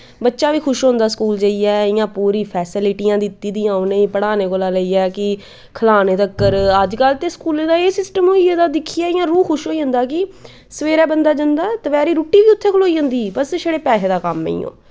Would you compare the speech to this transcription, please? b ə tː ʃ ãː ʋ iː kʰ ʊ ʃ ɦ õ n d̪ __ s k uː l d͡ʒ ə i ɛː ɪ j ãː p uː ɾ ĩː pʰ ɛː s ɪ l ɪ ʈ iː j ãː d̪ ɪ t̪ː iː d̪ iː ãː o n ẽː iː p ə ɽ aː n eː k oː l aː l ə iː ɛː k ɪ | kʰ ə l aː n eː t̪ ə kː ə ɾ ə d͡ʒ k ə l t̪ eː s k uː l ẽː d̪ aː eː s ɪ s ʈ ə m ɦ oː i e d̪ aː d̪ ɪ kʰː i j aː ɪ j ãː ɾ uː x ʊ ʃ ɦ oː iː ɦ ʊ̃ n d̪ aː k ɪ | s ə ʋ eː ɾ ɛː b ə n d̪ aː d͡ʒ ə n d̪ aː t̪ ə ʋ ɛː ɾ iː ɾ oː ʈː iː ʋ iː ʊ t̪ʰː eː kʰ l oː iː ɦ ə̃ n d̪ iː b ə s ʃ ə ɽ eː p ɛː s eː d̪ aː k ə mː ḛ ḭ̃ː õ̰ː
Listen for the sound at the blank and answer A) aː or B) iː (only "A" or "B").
A